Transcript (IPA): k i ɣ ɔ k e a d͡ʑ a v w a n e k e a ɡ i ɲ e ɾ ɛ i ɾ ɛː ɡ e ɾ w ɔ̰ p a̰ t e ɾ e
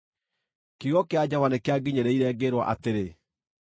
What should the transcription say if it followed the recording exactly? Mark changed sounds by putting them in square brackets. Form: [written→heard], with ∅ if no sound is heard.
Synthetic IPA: k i ɣ ɔ k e a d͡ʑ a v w a n e k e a ɡ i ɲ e ɾ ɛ i ɾ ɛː ɡ e ɾ w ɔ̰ [p→ʔ] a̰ t e ɾ e